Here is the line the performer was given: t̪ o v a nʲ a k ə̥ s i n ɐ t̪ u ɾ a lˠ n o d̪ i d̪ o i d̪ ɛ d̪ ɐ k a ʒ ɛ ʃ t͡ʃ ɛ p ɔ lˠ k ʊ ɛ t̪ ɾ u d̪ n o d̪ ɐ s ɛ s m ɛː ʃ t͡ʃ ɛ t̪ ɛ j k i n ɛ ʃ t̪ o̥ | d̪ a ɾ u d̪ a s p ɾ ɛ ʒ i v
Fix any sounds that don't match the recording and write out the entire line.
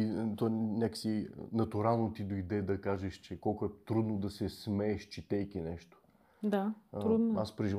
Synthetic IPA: t̪ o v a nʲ a k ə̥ s i n ɐ t̪ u ɾ a lˠ n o t̪ i d̪ o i d̪ ɛ d̪ ɐ k a ʒ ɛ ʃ t͡ʃ ɛ k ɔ lˠ k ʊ ɛ t̪ ɾ u d̪ n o d̪ ɐ s ɛ s m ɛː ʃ t͡ʃ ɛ t̪ ɛ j k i n ɛ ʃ t̪ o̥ | d̪ a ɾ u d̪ a s p ɾ ɛ ʒ i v